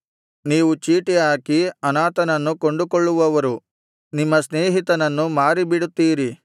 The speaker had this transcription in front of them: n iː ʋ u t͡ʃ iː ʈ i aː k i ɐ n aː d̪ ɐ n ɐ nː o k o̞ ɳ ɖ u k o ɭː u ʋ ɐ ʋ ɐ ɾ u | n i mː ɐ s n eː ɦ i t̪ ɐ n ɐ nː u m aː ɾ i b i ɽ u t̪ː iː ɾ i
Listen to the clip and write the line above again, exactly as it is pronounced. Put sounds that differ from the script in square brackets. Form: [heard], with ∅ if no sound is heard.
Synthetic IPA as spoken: n iː ʋ u t͡ʃ iː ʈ i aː k i ɐ n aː [t̪] ɐ n ɐ nː [u] k o̞ ɳ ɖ u k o ɭː u ʋ ɐ ʋ ɐ ɾ u | n i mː ɐ s n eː ɦ i t̪ ɐ n ɐ nː u m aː ɾ i b i ɽ u t̪ː iː ɾ i